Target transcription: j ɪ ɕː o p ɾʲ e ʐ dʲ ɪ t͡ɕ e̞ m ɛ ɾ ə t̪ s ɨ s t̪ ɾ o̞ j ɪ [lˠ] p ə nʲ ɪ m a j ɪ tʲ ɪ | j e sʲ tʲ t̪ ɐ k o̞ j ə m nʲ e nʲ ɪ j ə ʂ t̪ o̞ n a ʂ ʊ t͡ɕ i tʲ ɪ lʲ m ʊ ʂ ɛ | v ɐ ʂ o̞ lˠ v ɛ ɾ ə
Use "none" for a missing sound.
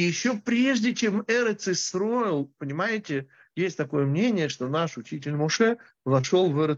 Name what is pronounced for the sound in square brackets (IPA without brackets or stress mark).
lˠ